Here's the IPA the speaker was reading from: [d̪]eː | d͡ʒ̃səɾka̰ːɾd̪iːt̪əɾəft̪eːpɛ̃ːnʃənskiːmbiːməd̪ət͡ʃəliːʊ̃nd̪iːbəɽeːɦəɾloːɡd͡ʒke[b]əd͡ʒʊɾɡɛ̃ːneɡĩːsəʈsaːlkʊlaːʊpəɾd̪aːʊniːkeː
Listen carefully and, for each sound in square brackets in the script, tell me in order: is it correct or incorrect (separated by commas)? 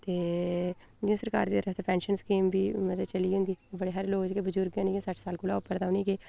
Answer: incorrect, correct